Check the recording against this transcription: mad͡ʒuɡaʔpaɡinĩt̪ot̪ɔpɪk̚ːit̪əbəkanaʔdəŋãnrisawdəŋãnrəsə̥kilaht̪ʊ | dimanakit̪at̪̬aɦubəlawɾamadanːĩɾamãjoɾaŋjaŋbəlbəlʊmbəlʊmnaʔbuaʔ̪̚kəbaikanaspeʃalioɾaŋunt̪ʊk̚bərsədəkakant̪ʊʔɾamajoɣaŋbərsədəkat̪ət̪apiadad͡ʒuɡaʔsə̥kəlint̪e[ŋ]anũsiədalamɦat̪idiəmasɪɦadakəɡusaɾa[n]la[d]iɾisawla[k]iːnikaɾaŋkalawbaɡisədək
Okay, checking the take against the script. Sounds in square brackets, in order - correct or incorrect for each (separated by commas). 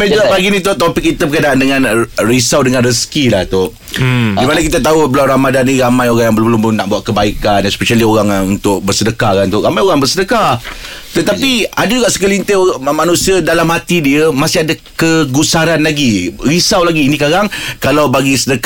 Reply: incorrect, correct, incorrect, incorrect